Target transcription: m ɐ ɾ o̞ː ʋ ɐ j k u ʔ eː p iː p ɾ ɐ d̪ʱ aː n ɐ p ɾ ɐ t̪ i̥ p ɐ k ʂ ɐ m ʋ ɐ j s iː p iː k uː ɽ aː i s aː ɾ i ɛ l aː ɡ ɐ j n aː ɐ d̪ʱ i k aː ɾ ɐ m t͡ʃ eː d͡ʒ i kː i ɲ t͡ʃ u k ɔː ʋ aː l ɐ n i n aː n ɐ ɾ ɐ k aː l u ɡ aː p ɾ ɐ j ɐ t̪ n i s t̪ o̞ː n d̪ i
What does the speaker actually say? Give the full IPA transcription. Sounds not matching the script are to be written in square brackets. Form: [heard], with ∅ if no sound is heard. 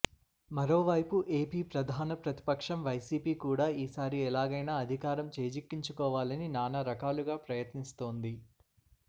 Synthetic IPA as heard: m ɐ ɾ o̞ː ʋ ɐ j [p] u ʔ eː p iː p ɾ ɐ d̪ʱ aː n ɐ p ɾ ɐ t̪ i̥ p ɐ k ʂ ɐ m ʋ ɐ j s iː p iː k uː ɽ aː [iː] s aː ɾ i ɛ l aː ɡ ɐ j n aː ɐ d̪ʱ i k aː ɾ ɐ m t͡ʃ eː d͡ʒ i kː i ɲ t͡ʃ u k ɔː ʋ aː l ɐ n i n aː n ɐ ɾ ɐ k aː l u ɡ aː p ɾ ɐ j ɐ t̪ n i s t̪ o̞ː n d̪ i